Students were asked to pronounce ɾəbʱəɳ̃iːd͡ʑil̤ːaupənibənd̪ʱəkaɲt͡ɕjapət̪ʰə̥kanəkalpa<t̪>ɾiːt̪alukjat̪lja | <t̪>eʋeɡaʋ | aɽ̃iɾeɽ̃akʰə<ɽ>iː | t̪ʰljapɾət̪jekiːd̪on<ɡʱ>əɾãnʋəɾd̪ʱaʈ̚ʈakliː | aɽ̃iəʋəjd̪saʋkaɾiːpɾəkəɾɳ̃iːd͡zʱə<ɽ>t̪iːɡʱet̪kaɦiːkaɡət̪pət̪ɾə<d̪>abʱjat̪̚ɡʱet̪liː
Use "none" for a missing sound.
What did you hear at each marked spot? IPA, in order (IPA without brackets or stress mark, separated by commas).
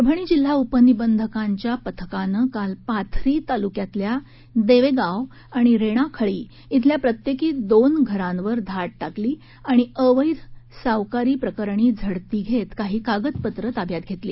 t̪ʰ, d̪, ɭ, ɡʱ, ɽ, t̪